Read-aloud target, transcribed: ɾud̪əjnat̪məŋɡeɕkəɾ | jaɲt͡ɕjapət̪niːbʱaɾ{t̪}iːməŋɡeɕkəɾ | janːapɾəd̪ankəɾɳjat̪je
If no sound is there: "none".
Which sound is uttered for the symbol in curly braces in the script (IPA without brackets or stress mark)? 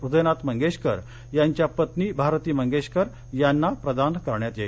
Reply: t̪